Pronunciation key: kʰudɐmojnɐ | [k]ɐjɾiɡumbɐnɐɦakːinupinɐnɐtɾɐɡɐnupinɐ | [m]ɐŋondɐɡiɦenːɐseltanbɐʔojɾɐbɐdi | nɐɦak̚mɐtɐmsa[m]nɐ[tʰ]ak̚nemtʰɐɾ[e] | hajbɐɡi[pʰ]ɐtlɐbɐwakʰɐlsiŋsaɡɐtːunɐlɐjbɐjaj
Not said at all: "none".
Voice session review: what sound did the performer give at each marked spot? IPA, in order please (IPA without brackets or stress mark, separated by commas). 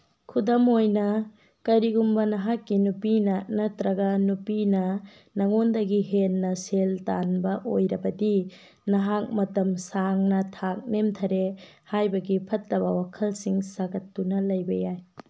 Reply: k, n, ŋ, tʰ, e, pʰ